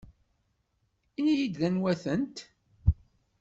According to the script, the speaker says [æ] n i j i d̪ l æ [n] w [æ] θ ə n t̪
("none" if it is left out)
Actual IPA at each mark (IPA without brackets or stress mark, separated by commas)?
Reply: i, n, æ